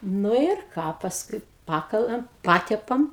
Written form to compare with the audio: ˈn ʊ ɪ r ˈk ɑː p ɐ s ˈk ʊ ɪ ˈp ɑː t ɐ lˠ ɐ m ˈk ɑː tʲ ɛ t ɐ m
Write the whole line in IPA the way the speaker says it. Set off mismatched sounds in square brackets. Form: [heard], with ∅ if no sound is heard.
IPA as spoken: ˈn ʊ ɪ r ˈk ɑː p ɐ s ˈk ʊ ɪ ˈp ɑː [k] ɐ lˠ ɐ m [ˈp] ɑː tʲ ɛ [p] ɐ m